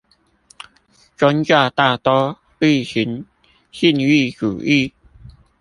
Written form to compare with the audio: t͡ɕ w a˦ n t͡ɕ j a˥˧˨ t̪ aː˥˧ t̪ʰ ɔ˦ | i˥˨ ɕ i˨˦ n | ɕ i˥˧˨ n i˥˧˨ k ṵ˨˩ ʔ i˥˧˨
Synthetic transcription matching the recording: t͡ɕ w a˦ n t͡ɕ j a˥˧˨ t̪ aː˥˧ t̪ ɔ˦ | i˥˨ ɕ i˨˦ n | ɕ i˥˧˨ n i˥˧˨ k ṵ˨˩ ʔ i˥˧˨